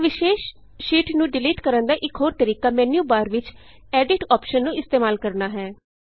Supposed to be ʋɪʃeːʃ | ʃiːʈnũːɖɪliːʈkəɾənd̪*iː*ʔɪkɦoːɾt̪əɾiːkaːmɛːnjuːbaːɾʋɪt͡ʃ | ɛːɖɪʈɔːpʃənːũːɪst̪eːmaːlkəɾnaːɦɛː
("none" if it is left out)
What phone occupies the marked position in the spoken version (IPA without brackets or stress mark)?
aː